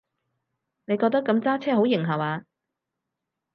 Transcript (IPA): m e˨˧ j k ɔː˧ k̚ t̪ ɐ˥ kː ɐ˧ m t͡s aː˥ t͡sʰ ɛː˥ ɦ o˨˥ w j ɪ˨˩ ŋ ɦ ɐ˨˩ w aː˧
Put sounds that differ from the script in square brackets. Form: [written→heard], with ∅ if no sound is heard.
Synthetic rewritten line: [m→n] e˨˧ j k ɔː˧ k̚ t̪ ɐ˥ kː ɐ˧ m t͡s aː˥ t͡sʰ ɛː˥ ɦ o˨˥ w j ɪ˨˩ ŋ ɦ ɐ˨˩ w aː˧